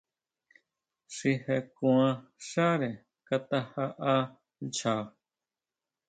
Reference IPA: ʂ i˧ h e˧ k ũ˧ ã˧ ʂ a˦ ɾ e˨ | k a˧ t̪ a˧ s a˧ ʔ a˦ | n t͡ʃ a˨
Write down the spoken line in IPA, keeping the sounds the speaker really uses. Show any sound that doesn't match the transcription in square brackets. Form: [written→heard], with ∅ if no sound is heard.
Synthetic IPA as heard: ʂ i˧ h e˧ k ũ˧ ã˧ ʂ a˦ ɾ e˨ | k a˧ t̪ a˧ [s→h] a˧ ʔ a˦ | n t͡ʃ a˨